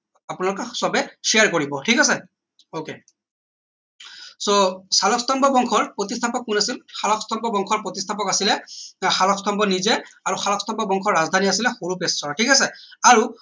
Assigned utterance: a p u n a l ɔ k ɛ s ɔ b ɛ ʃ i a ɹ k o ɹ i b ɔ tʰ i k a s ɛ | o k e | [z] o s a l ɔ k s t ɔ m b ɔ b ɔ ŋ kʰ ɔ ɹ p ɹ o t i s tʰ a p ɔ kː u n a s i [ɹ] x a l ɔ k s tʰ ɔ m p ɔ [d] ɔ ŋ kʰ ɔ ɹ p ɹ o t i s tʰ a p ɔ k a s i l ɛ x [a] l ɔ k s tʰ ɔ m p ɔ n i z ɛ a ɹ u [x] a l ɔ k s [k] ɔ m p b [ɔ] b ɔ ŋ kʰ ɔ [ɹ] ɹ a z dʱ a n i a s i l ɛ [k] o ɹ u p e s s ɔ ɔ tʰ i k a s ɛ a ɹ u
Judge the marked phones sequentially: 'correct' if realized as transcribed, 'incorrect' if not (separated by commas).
incorrect, incorrect, incorrect, correct, correct, incorrect, correct, correct, incorrect